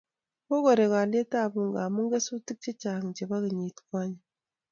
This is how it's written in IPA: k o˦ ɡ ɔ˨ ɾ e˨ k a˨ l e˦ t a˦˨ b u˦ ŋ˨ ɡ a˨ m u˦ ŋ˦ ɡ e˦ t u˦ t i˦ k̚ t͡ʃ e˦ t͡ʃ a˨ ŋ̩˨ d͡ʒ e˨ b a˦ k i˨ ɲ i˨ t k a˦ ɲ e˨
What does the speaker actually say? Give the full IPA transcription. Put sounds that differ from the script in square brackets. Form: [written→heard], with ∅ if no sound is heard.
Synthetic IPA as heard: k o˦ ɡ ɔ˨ ɾ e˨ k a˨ l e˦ t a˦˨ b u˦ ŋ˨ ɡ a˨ m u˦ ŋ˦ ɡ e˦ [t→s] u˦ t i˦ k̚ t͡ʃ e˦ t͡ʃ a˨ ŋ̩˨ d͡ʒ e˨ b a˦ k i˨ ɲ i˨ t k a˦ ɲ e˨